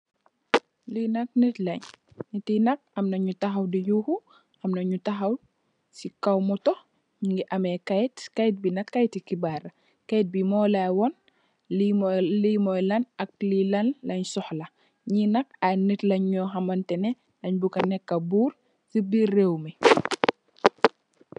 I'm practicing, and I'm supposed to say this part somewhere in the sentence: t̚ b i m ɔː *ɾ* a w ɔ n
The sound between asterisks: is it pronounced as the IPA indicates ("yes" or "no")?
no